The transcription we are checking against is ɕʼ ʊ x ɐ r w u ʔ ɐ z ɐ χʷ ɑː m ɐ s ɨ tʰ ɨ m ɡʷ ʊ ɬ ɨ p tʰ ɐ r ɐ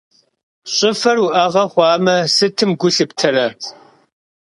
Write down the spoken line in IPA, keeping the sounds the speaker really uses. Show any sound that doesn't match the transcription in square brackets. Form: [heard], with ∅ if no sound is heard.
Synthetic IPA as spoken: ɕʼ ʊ [f] ɐ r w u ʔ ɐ [ʁ] ɐ χʷ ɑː m ɐ s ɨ tʰ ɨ m ɡʷ ʊ ɬ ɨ p tʰ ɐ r ɐ

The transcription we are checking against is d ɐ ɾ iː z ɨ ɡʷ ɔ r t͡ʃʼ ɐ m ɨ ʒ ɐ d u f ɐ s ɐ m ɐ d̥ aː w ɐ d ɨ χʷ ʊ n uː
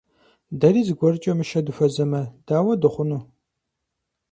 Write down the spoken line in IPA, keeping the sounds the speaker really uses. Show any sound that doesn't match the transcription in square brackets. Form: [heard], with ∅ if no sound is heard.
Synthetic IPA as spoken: d ɐ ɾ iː z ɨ ɡʷ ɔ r t͡ʃʼ ɐ m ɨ [ʃ] ɐ d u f ɐ [z] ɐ m ɐ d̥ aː w ɐ d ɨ χʷ ʊ n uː

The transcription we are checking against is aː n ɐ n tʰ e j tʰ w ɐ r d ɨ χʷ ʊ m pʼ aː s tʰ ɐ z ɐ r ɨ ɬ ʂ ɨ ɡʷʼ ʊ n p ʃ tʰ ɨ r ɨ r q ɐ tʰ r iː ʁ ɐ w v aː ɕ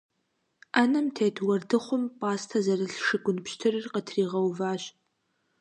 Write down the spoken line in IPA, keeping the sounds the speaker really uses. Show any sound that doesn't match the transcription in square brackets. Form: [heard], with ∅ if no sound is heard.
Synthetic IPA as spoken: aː n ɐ [m] tʰ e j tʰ w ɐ r d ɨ χʷ ʊ m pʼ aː s tʰ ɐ z ɐ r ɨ ɬ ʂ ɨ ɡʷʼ ʊ n p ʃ tʰ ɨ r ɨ r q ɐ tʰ r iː ʁ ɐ w v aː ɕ

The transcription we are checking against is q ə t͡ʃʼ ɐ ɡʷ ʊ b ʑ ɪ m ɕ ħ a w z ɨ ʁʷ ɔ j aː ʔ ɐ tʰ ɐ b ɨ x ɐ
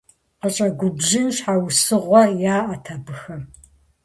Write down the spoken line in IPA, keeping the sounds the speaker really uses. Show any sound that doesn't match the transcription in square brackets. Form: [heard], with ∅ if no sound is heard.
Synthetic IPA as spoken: q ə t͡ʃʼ ɐ ɡʷ ʊ b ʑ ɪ [n] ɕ ħ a w [s] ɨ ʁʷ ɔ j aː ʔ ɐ tʰ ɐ b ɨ x ɐ

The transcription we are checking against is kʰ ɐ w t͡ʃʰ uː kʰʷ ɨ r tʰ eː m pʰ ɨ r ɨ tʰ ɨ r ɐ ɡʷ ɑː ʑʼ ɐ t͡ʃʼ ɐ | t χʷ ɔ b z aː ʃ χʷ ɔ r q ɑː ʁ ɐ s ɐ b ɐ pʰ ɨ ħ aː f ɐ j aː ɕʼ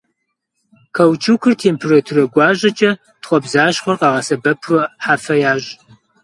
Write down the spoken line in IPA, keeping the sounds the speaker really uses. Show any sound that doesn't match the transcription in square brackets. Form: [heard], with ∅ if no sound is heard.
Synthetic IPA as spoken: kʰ ɐ w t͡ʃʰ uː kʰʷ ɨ r tʰ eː m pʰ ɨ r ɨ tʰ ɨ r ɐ ɡʷ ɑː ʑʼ ɐ t͡ʃʼ ɐ | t χʷ ɔ b z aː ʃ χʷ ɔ r q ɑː ʁ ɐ s ɐ b ɐ pʰ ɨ ħ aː f ɐ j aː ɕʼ

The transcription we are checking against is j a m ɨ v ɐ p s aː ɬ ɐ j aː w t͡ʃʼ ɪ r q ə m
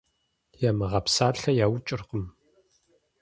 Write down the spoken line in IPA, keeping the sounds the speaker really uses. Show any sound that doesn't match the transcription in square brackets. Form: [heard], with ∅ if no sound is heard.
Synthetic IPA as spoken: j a m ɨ [ʁ] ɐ p s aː ɬ ɐ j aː w t͡ʃʼ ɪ r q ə m

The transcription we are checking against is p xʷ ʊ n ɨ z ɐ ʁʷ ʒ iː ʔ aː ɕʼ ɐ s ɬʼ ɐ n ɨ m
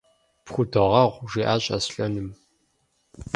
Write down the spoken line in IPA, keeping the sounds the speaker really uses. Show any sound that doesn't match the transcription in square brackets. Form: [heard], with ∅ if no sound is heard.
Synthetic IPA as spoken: p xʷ ʊ [d] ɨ [ʁ] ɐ ʁʷ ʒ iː ʔ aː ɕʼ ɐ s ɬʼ ɐ n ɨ m

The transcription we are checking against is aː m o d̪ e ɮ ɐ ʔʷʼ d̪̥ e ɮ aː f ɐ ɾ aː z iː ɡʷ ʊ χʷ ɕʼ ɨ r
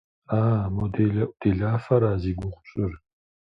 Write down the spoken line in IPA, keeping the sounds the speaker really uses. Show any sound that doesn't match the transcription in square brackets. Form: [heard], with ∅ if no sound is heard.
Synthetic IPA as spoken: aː m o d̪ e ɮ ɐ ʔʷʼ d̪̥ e ɮ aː f ɐ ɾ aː z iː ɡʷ ʊ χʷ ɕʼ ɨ r

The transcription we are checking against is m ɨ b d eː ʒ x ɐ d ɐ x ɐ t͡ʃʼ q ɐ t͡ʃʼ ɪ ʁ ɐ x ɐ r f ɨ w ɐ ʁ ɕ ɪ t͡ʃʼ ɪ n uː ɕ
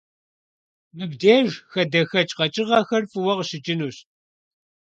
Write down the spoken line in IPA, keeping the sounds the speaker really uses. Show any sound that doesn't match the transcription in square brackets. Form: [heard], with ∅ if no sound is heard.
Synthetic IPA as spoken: m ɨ b d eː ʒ x ɐ d ɐ x ɐ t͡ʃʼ q ɐ t͡ʃʼ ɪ ʁ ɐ x ɐ r f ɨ w ɐ ʁ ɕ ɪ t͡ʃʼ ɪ n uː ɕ

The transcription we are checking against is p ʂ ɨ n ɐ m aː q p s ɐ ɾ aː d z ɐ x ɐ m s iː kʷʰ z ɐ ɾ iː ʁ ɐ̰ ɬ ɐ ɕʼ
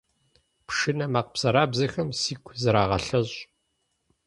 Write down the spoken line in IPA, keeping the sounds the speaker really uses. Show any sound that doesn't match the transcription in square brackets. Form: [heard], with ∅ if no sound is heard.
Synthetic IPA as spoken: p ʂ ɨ n ɐ m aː q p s ɐ ɾ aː [b] z ɐ x ɐ m s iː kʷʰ z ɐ ɾ [aː] ʁ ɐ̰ ɬ ɐ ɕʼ

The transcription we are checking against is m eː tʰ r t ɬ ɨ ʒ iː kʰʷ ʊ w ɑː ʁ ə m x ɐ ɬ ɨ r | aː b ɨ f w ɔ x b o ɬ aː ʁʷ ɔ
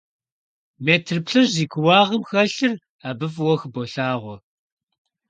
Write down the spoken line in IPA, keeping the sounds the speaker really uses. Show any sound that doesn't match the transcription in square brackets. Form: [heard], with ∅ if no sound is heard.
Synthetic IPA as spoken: m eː tʰ r [p] ɬ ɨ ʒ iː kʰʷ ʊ w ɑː ʁ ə m x ɐ ɬ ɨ r | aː b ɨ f w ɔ x b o ɬ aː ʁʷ ɔ

